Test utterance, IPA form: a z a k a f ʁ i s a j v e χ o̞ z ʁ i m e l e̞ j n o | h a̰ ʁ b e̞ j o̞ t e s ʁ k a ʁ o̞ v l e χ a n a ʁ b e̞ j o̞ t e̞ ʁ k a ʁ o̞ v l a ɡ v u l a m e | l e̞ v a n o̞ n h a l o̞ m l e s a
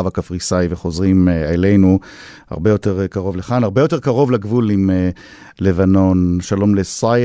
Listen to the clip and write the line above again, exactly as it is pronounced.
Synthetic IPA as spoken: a v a k a f ʁ i s a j v e χ o̞ z ʁ i m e l e̞ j n u | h a̰ ʁ b e̞ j o̞ t e ʁ k a ʁ o̞ v l e χ a n a ʁ b e̞ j o̞ t e̞ ʁ k a ʁ o̞ v l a ɡ v u l i m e | l e̞ v a n o̞ n ʃ a l o̞ m l e s a